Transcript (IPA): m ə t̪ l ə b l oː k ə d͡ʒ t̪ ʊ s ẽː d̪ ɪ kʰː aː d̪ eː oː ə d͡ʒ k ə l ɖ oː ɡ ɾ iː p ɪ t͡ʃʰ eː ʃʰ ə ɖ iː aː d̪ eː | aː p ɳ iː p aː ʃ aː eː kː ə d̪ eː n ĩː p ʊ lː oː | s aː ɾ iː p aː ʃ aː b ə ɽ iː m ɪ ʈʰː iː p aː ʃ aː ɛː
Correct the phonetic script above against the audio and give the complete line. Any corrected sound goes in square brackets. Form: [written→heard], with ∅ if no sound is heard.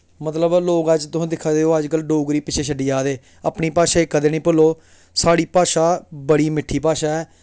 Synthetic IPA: m ə t̪ l ə b l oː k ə d͡ʒ t̪ ʊ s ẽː d̪ ɪ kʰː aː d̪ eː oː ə d͡ʒ k ə l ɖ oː ɡ ɾ iː p ɪ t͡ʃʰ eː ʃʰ ə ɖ iː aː d̪ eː | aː p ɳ iː p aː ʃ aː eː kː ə d̪ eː n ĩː p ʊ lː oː | s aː [ɾ→ɽ] iː p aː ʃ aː b ə ɽ iː m ɪ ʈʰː iː p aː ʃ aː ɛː